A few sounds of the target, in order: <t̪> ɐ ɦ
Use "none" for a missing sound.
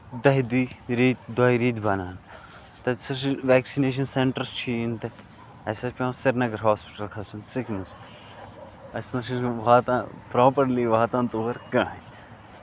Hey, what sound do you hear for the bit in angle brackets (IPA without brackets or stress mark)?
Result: d̪